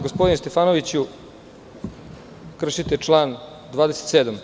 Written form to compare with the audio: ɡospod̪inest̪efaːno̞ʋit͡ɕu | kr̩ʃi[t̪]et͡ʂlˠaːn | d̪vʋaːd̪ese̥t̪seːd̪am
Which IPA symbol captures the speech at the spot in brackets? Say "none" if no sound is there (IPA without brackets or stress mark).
t̪